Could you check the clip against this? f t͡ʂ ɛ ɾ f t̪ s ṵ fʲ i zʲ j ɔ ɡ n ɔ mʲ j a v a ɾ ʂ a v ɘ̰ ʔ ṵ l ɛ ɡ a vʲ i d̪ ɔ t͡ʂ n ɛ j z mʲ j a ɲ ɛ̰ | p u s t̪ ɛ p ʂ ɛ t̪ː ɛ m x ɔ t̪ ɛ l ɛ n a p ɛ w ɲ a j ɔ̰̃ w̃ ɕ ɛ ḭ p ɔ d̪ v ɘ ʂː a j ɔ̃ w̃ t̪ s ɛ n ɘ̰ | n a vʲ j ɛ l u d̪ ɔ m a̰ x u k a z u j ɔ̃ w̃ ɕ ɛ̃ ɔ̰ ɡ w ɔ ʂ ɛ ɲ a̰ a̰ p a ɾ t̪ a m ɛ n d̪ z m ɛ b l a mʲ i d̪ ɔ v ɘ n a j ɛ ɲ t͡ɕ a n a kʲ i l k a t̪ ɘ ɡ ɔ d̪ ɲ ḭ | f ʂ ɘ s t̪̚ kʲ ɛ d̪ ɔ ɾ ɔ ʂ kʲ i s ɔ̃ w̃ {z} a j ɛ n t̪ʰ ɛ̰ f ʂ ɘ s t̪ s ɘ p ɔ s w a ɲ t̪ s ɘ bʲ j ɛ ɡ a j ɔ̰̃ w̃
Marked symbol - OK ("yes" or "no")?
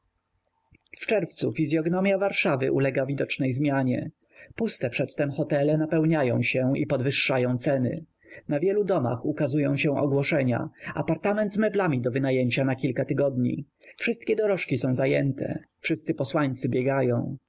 yes